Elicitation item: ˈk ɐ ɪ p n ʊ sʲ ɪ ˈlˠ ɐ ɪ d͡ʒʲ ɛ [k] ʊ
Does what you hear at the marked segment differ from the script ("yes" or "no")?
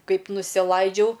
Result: yes